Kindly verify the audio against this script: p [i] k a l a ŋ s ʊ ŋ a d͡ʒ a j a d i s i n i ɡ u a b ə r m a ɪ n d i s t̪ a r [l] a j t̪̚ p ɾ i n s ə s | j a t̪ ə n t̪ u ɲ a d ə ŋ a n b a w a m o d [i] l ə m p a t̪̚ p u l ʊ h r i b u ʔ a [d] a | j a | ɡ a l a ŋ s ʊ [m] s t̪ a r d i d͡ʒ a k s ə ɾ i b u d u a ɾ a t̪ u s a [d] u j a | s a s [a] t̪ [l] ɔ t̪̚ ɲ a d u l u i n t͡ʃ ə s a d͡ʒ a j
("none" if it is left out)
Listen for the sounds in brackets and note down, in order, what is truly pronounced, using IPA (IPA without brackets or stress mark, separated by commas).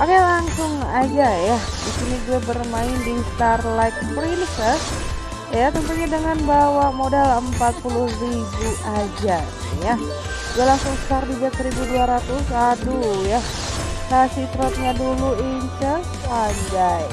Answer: a, l, a, d͡ʒ, ŋ, d, i, ɾ